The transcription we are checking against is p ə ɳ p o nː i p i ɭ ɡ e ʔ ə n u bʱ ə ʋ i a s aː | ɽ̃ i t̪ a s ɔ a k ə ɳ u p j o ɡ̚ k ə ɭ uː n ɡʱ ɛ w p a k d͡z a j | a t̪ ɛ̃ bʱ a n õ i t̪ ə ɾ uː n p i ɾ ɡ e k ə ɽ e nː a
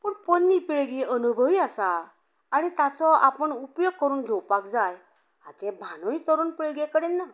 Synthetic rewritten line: p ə ɳ p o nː i p i ɭ ɡ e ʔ ə n u bʱ ə ʋ i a s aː | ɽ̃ i t̪ a t͡s ɔ a p ə ɳ u p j o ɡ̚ k ə ɾ uː n ɡʱ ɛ w p a k d͡z a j | a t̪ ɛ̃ bʱ a n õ i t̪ ə ɾ uː n p i ɭ ɡ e k ə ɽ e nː a